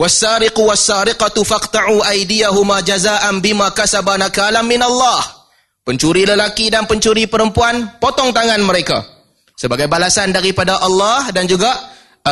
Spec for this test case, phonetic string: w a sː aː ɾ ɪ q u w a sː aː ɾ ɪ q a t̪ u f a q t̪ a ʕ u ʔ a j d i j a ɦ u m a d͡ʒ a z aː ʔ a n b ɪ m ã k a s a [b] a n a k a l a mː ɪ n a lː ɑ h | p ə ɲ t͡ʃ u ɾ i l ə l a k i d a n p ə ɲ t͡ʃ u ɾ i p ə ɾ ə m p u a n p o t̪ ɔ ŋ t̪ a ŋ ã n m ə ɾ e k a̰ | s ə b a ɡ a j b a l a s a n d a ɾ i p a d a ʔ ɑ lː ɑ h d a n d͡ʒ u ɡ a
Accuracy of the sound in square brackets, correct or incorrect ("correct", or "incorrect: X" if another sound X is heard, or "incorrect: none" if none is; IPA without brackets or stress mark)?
correct